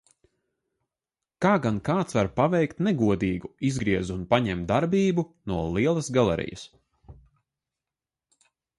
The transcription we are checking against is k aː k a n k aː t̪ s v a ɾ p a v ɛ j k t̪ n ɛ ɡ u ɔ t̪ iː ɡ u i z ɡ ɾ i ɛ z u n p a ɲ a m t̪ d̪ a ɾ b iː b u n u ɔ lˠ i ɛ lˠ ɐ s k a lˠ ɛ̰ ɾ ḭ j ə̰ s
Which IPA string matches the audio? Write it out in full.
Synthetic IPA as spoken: k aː ɡ a n k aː t̪ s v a ɾ p a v ɛ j k t̪ n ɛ ɡ u ɔ d̪ iː ɡ u i z ɡ ɾ i ɛ z u n p a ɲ ɛ m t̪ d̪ a ɾ b iː b u n u ɔ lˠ i ɛ lˠ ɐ s ɡ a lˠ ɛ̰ ɾ ḭ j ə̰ s